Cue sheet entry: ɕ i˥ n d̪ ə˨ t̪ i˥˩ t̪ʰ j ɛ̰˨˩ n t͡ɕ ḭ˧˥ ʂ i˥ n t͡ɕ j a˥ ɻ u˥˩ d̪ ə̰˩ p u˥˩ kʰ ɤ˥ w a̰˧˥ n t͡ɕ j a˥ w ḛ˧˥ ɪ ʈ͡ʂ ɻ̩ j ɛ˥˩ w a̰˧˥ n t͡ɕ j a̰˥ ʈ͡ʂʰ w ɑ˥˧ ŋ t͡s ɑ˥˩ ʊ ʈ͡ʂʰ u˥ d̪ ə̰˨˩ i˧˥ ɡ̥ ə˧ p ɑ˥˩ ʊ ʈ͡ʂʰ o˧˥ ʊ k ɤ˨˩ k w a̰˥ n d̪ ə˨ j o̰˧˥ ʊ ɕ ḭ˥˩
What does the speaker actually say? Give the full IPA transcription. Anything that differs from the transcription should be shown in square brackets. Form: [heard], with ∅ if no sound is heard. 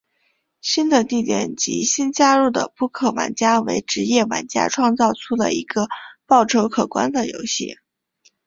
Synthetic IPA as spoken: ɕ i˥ n d̪ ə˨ t̪ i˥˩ [t̪] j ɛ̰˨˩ n t͡ɕ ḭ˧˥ [ɕ] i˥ n t͡ɕ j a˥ ɻ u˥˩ d̪ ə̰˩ p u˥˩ kʰ [ɤ˨˩] w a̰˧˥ n t͡ɕ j a˥ w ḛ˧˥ ɪ ʈ͡ʂ ɻ̩ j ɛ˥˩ w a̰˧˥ n t͡ɕ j a̰˥ ʈ͡ʂʰ w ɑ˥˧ ŋ t͡s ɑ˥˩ ʊ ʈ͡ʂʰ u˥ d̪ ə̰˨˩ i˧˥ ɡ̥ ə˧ p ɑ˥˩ ʊ ʈ͡ʂʰ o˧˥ ʊ [kʰ] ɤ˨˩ k w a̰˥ n d̪ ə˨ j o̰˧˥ ʊ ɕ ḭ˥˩